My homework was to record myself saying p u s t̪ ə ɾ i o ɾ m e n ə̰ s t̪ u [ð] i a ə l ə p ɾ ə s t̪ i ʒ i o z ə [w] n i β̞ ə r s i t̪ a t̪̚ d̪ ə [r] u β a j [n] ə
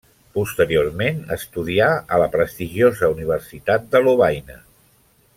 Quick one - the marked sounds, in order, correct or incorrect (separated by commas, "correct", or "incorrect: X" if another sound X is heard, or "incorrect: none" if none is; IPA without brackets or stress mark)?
correct, incorrect: u, incorrect: l, correct